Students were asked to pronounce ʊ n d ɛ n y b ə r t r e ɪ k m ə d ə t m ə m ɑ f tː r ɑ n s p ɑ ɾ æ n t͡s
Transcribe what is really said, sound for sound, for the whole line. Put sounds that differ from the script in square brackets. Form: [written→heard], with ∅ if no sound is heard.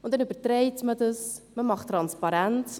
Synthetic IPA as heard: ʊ n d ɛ n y b ə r t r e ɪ [k→t] m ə d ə [t→s] m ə m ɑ [f→χ] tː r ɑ n s p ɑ ɾ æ n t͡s